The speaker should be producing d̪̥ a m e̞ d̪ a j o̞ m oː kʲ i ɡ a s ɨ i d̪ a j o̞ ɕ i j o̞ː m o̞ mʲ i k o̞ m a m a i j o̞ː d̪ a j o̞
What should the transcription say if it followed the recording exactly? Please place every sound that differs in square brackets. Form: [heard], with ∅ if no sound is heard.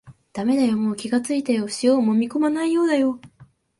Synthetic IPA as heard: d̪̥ a m e̞ d̪ a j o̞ m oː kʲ i ɡ a [t͡s] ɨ i [t̪] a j o̞ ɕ i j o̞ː m o̞ mʲ i k o̞ m a [n] a i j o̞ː d̪ a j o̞

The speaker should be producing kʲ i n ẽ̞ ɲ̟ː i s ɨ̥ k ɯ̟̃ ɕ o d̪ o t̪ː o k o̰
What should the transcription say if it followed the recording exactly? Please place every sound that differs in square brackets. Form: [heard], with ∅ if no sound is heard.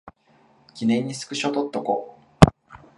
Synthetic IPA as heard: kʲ i n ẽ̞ ɲ̟ː i s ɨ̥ k [ɯ̟] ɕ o [t̪] o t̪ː o k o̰

